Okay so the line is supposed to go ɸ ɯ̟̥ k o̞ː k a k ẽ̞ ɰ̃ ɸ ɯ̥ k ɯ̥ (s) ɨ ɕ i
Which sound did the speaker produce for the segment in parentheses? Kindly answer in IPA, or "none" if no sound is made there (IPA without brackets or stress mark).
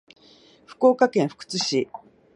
t͡s